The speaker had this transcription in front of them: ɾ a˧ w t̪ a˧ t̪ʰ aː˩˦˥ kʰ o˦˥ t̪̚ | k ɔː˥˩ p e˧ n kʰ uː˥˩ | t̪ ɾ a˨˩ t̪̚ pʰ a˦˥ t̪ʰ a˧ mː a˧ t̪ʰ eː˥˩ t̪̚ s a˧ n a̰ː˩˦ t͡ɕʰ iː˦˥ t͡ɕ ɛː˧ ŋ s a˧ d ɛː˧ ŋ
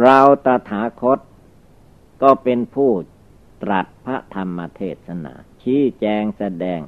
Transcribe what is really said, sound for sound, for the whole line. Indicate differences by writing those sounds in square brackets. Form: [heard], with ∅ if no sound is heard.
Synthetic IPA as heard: ɾ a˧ w t̪ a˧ t̪ʰ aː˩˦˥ kʰ o˦˥ t̪̚ | k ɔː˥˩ p e˧ n [pʰ] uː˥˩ | t̪ ɾ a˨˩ t̪̚ pʰ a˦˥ t̪ʰ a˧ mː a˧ t̪ʰ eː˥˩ t̪̚ s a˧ n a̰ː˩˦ t͡ɕʰ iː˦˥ t͡ɕ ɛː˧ ŋ s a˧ d ɛː˧ ŋ